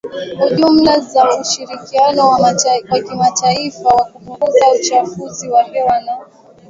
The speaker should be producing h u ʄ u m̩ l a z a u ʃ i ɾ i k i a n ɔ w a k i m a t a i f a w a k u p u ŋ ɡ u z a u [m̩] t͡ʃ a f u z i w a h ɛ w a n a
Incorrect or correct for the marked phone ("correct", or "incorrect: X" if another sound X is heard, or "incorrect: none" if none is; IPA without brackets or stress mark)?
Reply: incorrect: none